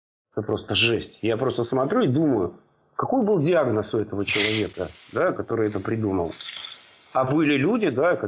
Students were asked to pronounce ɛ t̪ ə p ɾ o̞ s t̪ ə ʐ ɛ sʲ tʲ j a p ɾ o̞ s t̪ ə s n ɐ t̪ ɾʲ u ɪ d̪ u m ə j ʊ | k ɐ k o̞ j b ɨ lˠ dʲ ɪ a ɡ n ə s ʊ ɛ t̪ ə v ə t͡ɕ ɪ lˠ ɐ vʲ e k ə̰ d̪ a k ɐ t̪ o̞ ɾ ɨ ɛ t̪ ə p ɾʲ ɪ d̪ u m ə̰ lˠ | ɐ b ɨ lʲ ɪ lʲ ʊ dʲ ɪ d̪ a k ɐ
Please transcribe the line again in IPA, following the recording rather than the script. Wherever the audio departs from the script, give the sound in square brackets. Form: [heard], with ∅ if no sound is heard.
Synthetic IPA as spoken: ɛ t̪ ə p ɾ o̞ s t̪ ə ʐ ɛ sʲ tʲ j a p ɾ o̞ s t̪ ə s [m] ɐ t̪ ɾʲ u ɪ d̪ u m ə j ʊ | k ɐ k o̞ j b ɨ lˠ dʲ ɪ a ɡ n ə s ʊ ɛ t̪ ə v ə t͡ɕ ɪ lˠ ɐ vʲ e k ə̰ d̪ a k ɐ t̪ o̞ ɾ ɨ ɛ t̪ ə p ɾʲ ɪ d̪ u m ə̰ lˠ | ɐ b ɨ lʲ ɪ lʲ [u] dʲ ɪ d̪ a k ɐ